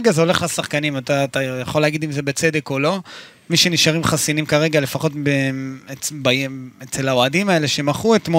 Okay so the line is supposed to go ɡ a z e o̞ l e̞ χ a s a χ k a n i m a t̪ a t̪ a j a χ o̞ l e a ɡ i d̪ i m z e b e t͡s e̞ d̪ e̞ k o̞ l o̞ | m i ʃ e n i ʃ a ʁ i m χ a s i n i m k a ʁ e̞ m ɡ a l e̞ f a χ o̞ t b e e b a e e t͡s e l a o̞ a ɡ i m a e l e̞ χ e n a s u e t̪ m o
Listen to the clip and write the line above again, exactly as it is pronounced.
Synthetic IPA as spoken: ɡ a z e o̞ l e̞ χ a s a χ k a n i m a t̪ a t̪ a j a χ o̞ l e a ɡ i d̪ i m z e b e t͡s e̞ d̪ e̞ k o̞ l o̞ | m i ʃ e n i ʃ a ʁ i m χ a s i n i m k a ʁ e̞ ɡ a l e̞ f a χ o̞ t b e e b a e e t͡s e l a o̞ a d i m a e l e̞ ʃ e m a χ u e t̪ m o